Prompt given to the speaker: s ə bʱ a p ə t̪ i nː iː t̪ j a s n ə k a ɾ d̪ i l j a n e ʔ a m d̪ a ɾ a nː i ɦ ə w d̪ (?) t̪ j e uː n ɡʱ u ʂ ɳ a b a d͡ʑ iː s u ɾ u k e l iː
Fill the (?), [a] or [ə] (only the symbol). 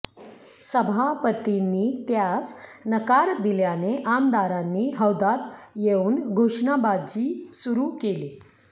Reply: a